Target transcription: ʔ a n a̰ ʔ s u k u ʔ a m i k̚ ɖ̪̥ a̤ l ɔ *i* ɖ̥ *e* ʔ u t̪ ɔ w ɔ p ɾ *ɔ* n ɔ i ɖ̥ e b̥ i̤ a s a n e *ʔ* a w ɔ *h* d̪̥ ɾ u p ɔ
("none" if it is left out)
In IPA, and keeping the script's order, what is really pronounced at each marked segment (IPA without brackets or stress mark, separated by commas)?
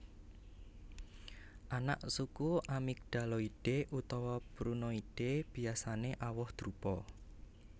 i, e, u, ʔ, h